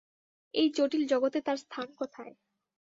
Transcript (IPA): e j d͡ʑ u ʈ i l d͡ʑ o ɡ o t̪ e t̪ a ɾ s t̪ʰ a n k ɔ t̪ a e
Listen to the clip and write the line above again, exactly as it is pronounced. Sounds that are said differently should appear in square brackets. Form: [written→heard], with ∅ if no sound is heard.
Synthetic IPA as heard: e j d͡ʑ [u→o] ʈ i l d͡ʑ [o→ɔ] ɡ o t̪ e t̪ a ɾ s t̪ʰ a n k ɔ [t̪→t̪ʰ] a e